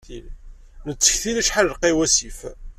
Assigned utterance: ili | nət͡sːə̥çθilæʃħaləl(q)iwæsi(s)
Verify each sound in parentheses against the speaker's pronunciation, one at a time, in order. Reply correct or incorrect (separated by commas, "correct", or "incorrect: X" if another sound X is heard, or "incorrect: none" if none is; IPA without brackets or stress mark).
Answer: correct, incorrect: f